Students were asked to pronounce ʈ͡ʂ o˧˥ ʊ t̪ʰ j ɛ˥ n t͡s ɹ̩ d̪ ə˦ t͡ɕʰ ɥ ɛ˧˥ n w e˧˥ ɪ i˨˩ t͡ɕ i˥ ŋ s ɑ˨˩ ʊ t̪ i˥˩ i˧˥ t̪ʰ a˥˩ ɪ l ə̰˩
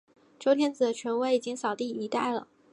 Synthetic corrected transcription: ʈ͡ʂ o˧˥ ʊ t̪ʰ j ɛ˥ n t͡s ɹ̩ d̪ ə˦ t͡ɕʰ ɥ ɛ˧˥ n w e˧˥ ɪ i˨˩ t͡ɕ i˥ ŋ s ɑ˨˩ ʊ t̪ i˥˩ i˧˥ t̪ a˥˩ ɪ l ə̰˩

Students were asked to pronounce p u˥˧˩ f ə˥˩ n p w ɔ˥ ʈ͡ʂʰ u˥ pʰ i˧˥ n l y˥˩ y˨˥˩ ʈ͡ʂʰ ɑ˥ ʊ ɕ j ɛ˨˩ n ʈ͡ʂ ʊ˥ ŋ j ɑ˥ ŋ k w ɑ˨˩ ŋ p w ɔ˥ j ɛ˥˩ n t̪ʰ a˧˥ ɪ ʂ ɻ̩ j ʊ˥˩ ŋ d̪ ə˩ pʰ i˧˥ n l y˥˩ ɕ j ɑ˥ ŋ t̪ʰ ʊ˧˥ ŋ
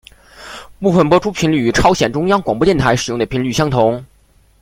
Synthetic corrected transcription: p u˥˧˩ f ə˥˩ n p w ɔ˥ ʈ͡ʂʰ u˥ pʰ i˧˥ n l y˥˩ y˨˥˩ ʈ͡ʂʰ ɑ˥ ʊ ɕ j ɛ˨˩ n ʈ͡ʂ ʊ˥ ŋ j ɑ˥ ŋ k w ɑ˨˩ ŋ p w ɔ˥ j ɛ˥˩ n t̪ʰ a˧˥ ɪ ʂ ɻ̩ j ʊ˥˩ ŋ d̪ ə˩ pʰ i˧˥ n l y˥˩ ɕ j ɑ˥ ŋ t̪ʰ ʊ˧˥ ŋ

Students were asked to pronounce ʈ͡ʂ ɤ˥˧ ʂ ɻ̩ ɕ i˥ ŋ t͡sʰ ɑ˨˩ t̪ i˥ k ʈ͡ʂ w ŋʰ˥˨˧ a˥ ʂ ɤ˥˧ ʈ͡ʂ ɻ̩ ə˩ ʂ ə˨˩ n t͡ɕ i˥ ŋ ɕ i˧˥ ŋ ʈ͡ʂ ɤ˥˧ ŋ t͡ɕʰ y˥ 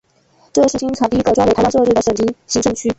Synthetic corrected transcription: ʈ͡ʂ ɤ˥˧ ʂ ɻ̩ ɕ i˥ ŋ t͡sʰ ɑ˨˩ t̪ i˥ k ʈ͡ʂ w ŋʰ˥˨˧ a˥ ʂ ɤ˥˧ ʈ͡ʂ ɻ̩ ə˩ ʂ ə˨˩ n t͡ɕ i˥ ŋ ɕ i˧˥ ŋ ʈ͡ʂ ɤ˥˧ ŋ t͡ɕʰ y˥

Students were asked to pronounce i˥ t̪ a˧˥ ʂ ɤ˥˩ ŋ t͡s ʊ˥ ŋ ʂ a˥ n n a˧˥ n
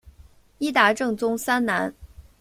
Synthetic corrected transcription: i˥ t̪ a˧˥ ʈ͡ʂ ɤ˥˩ ŋ t͡s ʊ˥ ŋ s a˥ n n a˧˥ n

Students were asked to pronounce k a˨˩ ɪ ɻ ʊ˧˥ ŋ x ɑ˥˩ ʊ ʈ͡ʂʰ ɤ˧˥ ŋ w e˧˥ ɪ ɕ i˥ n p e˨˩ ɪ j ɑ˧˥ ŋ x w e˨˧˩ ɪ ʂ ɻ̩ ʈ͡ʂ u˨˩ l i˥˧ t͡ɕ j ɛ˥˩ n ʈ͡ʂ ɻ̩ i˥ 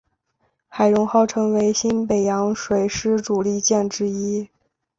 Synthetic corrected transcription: x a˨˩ ɪ ɻ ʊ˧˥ ŋ x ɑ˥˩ ʊ ʈ͡ʂʰ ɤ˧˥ ŋ w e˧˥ ɪ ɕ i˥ n p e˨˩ ɪ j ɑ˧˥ ŋ ʂ w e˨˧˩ ɪ ʂ ɻ̩ ʈ͡ʂ u˨˩ l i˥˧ t͡ɕ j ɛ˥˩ n ʈ͡ʂ ɻ̩ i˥

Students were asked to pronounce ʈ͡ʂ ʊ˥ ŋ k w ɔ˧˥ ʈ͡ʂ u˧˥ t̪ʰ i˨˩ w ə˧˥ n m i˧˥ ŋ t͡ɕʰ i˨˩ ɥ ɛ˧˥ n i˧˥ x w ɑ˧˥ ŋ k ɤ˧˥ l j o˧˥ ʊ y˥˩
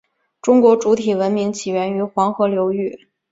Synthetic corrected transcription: ʈ͡ʂ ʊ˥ ŋ k w ɔ˧˥ ʈ͡ʂ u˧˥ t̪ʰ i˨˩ w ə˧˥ n m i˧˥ ŋ t͡ɕʰ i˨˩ ɥ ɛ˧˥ n y˧˥ x w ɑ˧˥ ŋ x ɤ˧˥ l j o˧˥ ʊ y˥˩

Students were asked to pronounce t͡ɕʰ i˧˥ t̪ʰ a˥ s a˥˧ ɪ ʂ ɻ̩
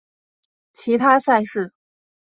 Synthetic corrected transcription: t͡ɕʰ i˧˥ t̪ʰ a˥ s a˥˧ ɪ ʂ ɻ̩

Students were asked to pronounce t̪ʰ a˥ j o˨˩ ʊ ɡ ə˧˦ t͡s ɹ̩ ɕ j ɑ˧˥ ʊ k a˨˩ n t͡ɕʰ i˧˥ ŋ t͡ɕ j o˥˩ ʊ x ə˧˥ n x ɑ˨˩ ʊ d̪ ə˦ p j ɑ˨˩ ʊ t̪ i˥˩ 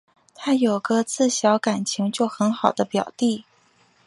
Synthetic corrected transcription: t̪ʰ a˥ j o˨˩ ʊ ɡ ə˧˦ t͡s ɹ̩ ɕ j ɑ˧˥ ʊ k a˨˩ n t͡ɕʰ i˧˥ ŋ t͡ɕ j o˥˩ ʊ x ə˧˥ n x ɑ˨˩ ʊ d̪ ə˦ p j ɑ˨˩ ʊ t̪ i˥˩

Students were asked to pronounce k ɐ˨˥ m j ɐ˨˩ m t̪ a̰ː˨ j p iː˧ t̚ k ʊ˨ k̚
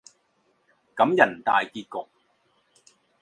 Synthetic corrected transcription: k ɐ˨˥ m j ɐ˨˩ n t̪ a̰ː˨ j k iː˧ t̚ k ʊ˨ k̚

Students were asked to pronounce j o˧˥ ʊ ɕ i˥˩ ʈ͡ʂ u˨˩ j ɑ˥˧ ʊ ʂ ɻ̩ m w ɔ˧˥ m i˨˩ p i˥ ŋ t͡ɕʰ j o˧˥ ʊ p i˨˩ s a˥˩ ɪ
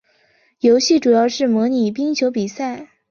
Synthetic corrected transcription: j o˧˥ ʊ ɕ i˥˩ ʈ͡ʂ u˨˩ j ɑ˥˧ ʊ ʂ ɻ̩ m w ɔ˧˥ n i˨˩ p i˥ ŋ t͡ɕʰ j o˧˥ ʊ p i˨˩ s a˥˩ ɪ

